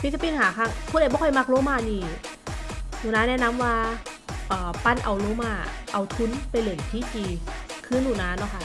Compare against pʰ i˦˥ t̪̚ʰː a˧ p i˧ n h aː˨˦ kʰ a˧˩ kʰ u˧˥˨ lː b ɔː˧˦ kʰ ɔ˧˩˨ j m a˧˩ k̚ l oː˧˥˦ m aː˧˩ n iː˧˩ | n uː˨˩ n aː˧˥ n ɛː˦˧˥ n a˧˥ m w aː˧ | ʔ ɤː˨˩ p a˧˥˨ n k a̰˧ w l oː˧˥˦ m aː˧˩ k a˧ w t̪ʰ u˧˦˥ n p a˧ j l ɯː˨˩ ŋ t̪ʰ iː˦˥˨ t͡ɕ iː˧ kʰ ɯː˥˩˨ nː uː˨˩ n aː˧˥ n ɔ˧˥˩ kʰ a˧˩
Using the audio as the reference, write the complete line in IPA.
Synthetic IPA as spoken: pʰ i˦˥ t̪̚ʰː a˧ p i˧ n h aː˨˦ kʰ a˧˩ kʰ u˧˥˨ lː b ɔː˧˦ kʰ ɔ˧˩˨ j m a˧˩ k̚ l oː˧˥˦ m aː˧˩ n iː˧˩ | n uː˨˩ n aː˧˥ n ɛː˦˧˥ n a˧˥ m w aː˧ | ʔ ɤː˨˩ p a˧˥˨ n ʔ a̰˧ w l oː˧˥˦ m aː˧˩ ʔ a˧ w t̪ʰ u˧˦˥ n p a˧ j l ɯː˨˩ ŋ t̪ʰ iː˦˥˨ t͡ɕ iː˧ kʰ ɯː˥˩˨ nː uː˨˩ n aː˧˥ n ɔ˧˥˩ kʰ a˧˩